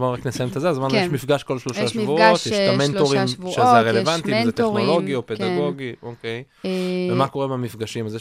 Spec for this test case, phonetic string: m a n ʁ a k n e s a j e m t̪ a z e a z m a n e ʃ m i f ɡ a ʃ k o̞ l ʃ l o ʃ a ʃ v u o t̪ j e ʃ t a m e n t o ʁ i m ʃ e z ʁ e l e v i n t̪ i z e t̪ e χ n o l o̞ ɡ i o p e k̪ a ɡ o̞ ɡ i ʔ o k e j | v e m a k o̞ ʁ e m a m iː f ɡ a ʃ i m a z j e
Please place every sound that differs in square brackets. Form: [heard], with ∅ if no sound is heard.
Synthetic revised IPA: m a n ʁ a k n e s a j e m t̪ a z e a z m a n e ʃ m i f ɡ a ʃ k o̞ l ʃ l o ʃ a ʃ v u o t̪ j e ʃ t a m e n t o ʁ i m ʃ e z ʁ e l e v [a] n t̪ i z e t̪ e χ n o l o̞ ɡ i o p e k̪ a ɡ o̞ ɡ i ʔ o k e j | v e m a k o̞ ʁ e m a m [i] f ɡ a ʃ i m a z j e